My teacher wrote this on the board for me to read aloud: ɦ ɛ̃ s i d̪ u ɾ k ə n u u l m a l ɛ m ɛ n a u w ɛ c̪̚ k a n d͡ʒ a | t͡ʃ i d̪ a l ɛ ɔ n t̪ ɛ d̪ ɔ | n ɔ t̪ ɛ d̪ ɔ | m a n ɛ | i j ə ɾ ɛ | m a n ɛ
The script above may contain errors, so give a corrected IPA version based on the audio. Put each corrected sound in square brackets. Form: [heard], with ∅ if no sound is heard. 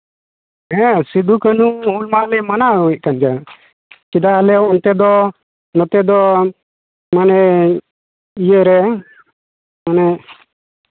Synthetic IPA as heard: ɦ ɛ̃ s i d̪ u [∅] k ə n u u l m a l ɛ m [a] n a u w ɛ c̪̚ k a n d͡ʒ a | t͡ʃ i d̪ a l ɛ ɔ n t̪ ɛ d̪ ɔ | n ɔ t̪ ɛ d̪ ɔ | m a n ɛ | i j ə ɾ ɛ | m a n ɛ

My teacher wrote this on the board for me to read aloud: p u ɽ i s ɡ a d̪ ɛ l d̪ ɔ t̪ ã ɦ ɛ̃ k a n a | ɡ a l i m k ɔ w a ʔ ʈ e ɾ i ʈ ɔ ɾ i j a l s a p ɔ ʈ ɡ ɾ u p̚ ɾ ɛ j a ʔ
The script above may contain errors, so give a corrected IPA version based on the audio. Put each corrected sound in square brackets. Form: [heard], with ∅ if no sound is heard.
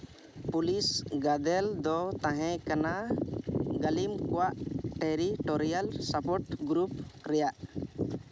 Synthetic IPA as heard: p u [l] i s ɡ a d̪ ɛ l d̪ ɔ t̪ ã ɦ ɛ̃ k a n a | ɡ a l i m k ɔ w a ʔ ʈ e ɾ i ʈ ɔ ɾ i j a l s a p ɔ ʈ ɡ ɾ u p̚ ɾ ɛ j a ʔ

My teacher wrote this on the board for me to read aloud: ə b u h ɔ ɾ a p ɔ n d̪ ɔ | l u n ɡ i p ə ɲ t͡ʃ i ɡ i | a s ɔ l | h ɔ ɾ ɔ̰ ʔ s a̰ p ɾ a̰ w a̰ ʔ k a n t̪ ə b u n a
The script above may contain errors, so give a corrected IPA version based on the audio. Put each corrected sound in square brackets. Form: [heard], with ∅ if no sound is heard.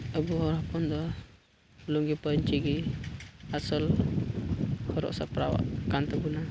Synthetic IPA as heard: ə b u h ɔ ɾ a p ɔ n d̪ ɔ | l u [ŋ] ɡ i p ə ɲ t͡ʃ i ɡ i | a s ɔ l | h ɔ ɾ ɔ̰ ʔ s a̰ p ɾ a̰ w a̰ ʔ k a n t̪ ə b u n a

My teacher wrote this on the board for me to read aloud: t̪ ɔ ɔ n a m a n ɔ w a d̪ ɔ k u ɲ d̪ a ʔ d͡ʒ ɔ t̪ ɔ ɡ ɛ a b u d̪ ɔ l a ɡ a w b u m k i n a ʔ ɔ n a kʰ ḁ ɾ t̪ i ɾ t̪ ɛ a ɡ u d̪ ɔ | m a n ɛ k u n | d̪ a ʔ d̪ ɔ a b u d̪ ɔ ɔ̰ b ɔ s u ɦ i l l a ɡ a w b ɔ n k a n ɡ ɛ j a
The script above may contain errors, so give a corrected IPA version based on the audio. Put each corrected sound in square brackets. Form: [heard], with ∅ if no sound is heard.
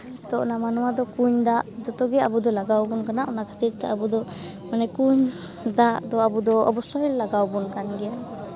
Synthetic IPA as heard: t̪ ɔ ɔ n a m a n ɔ w a d̪ ɔ k u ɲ d̪ a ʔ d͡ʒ ɔ t̪ ɔ ɡ ɛ a b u d̪ ɔ l a ɡ a w b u [n] k [a] n a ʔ ɔ n a kʰ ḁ [∅] t̪ i ɾ t̪ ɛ a [b] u d̪ ɔ | m a n ɛ k u [ɲ] | d̪ a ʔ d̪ ɔ a b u d̪ ɔ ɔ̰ b ɔ s [ɔ] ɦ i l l a ɡ a w b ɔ n k a n ɡ ɛ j a

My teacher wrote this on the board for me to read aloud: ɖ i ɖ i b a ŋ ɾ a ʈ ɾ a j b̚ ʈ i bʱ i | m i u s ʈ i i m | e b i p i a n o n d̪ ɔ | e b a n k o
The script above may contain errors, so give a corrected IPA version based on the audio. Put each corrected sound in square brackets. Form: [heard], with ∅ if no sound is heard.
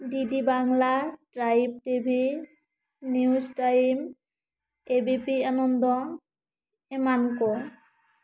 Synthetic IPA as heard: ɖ i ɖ i b a ŋ [l] a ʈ ɾ a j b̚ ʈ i bʱ i | [n] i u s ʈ [a] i m | e b i p i a n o n d̪ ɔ | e [m] a n k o

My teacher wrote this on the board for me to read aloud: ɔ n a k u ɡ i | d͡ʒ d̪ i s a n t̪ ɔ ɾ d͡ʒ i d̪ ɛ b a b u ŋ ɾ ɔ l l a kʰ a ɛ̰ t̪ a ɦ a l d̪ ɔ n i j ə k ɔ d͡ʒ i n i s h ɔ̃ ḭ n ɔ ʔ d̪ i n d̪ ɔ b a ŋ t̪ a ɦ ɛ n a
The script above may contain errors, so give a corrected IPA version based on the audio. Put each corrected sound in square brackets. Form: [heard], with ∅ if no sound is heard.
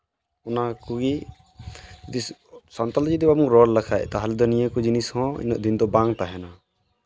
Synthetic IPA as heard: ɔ n a k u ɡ i | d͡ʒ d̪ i s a n t̪ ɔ [l] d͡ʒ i d̪ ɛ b a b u ŋ ɾ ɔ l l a kʰ a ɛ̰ t̪ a ɦ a l d̪ ɔ n i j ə k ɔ d͡ʒ i n i s h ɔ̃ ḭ n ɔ ʔ d̪ i n d̪ ɔ b a ŋ t̪ a ɦ ɛ n a

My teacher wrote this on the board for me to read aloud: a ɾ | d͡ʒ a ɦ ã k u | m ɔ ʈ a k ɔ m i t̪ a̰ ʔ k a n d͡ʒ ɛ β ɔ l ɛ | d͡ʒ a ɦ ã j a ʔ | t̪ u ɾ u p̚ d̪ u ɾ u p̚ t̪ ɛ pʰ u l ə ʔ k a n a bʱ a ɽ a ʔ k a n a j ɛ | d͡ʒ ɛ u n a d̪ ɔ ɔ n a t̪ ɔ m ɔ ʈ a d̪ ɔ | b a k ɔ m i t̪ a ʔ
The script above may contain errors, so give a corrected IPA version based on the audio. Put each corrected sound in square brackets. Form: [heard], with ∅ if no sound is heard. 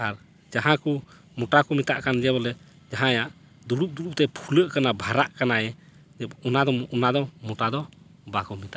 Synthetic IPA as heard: a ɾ | d͡ʒ a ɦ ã k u | m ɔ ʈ a k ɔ m i t̪ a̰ ʔ k a n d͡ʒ ɛ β ɔ l ɛ | d͡ʒ a ɦ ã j a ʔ | [d̪] u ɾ u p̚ d̪ u ɾ u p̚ t̪ ɛ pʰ u l ə ʔ k a n a bʱ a [ɾ] a ʔ k a n a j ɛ | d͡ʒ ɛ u n a d̪ ɔ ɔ n a [d̪] ɔ m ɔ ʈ a d̪ ɔ | b a k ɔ m i t̪ a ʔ

